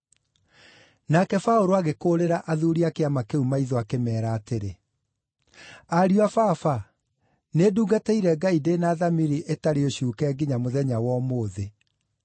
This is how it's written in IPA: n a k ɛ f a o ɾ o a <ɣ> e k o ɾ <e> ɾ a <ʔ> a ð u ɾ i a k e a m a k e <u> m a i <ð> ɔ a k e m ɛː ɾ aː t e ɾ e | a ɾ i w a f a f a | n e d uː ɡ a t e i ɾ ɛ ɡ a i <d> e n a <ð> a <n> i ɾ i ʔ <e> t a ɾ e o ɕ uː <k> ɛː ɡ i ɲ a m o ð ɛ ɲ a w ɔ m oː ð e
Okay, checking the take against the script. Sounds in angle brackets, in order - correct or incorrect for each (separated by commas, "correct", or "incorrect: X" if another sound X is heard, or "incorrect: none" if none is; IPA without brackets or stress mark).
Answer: correct, correct, correct, correct, correct, correct, correct, incorrect: m, correct, correct